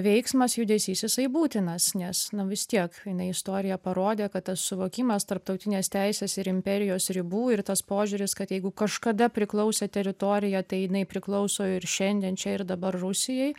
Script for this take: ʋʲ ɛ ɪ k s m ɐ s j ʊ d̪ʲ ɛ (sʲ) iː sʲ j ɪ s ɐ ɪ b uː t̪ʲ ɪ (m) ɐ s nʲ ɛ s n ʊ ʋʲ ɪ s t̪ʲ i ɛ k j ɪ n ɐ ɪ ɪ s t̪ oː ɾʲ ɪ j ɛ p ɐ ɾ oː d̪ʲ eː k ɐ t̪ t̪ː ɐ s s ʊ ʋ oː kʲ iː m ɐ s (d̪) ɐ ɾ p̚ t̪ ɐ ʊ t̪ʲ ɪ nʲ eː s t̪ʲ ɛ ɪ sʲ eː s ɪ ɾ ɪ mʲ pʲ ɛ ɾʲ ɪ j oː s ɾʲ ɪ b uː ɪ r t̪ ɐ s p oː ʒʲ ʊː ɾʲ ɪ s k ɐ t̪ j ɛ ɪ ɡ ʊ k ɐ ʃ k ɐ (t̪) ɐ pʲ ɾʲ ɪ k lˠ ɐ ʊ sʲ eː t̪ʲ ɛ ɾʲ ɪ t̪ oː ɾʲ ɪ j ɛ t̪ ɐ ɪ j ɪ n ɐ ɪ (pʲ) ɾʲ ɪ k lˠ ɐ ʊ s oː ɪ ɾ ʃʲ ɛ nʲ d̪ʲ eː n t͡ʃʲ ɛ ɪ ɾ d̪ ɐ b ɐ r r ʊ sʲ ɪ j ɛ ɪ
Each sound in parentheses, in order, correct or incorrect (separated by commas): correct, incorrect, incorrect, incorrect, correct